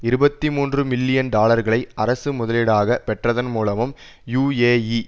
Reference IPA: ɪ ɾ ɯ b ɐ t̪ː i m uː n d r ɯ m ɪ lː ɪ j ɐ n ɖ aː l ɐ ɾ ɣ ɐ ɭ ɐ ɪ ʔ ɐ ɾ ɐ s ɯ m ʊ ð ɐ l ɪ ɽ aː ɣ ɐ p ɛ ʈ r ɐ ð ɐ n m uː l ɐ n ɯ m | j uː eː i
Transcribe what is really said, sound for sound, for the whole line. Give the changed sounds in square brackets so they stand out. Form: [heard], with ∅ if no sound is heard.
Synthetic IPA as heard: ɪ ɾ ɯ b ɐ t̪ː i m uː n d r ɯ m ɪ lː ɪ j ɐ n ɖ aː l ɐ ɾ ɣ ɐ ɭ ɐ ɪ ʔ ɐ ɾ ɐ s ɯ m ʊ ð ɐ l ɪ ɽ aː ɣ ɐ p ɛ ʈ r ɐ ð ɐ n m uː l ɐ [m] ɯ m | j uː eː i